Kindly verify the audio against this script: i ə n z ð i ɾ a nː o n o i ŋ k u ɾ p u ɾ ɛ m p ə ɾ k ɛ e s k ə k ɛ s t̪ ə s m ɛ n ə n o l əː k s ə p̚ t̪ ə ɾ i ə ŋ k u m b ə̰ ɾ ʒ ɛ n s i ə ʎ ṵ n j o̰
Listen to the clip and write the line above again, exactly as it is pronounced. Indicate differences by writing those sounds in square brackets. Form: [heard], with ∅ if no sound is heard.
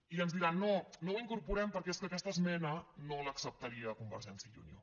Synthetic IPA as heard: i ə n z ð i ɾ a nː o n o i ŋ k u ɾ p u ɾ ɛ m p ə ɾ k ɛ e s k ə k ɛ s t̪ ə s m ɛ n ə n o l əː k s ə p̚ t̪ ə ɾ i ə [∅] k u m b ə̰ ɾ ʒ ɛ n s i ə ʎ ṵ n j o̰